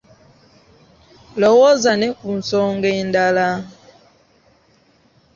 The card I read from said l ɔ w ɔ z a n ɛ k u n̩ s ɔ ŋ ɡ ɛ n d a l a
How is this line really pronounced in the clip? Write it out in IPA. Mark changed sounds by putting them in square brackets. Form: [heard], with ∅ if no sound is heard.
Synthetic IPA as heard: l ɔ w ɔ z a n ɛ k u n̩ s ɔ ŋ ɡ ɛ n d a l a